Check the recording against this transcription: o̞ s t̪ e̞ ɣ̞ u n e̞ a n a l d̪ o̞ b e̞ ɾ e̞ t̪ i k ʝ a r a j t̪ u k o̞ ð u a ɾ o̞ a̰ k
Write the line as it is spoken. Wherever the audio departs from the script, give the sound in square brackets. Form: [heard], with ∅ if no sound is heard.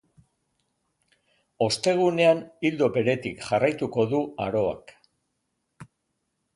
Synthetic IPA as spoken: o̞ s t̪ e̞ ɣ̞ u n e̞ a n [i] l d̪ o̞ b e̞ ɾ e̞ t̪ i k ʝ a r a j t̪ u k o̞ ð u a ɾ o̞ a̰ k